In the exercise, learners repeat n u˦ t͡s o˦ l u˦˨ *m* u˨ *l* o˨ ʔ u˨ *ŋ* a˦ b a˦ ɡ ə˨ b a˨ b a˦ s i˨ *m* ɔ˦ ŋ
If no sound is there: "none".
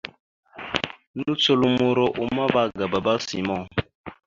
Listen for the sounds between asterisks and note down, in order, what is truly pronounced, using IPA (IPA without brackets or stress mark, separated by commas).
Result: m, ɾ, m, m